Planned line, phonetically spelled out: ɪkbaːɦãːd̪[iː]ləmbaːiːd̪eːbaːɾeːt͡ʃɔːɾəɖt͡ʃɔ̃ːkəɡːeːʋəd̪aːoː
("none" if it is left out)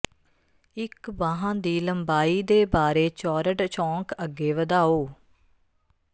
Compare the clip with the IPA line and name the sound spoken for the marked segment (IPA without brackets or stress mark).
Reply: iː